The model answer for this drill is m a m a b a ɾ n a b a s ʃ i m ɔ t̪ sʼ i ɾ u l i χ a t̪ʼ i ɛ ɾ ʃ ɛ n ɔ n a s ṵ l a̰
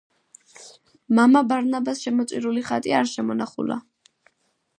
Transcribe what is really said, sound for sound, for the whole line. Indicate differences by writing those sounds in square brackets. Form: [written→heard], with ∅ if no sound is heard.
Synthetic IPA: m a m a b a ɾ n a b a s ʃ [i→ɛ] m ɔ t̪ sʼ i ɾ u l i χ a t̪ʼ i [ɛ→a] ɾ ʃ ɛ [n→m] ɔ n a [s→χ] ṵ l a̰